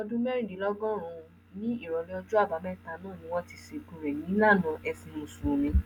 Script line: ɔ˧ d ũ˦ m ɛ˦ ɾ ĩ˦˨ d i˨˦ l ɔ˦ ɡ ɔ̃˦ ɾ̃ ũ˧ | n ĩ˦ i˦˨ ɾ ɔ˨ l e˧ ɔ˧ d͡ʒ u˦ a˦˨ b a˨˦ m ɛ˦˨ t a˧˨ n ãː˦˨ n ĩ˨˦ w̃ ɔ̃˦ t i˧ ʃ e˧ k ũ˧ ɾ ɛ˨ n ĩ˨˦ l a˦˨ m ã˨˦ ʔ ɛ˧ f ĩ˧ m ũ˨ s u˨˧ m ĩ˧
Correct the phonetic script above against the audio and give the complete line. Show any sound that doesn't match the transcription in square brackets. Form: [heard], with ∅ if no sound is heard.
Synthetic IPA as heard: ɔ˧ d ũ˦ m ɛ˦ ɾ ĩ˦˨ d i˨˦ l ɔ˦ ɡ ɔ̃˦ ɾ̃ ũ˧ | n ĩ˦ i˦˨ ɾ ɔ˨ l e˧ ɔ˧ d͡ʒ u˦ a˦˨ b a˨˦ m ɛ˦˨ t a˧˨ n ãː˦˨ n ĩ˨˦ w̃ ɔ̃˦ t i˧ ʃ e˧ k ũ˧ ɾ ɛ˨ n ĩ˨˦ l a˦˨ [n] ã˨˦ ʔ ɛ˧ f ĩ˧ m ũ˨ s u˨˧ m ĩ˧